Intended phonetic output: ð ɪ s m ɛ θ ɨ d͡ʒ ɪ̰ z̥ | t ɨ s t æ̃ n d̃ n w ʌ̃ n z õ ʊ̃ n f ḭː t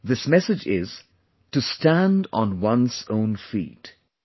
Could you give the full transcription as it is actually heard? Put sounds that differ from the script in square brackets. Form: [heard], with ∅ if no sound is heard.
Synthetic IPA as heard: ð ɪ s m ɛ [s] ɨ d͡ʒ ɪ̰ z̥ | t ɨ s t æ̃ n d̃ n w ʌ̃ n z õ ʊ̃ n f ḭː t